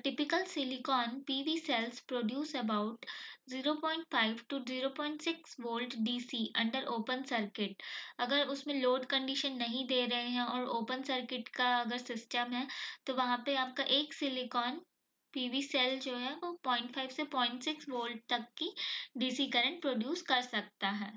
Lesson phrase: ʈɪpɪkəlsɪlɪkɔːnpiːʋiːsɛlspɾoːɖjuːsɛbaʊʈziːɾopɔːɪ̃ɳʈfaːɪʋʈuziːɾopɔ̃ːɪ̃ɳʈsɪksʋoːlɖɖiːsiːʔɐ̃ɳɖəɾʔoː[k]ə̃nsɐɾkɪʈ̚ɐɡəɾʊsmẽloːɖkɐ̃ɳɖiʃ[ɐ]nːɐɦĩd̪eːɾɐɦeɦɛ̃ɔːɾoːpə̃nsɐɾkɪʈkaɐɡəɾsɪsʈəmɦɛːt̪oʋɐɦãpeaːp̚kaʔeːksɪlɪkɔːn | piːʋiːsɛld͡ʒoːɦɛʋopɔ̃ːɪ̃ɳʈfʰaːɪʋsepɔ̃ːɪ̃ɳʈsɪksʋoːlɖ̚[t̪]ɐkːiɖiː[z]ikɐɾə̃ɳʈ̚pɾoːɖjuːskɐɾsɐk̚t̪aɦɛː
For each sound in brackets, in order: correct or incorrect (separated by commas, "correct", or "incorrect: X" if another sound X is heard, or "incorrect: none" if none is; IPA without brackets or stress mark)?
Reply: incorrect: p, incorrect: ə, correct, incorrect: s